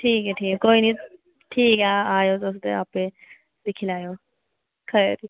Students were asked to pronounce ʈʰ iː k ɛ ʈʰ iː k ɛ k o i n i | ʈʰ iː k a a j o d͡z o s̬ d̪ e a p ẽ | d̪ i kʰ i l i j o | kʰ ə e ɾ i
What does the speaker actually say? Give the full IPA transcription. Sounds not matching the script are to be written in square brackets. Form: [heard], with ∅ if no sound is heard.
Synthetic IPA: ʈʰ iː k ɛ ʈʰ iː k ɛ k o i n i | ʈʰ iː k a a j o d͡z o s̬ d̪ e a p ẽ | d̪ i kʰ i l [a] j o | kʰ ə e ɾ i